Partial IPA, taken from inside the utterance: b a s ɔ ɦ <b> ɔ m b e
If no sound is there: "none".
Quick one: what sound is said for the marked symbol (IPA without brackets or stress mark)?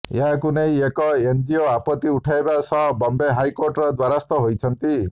b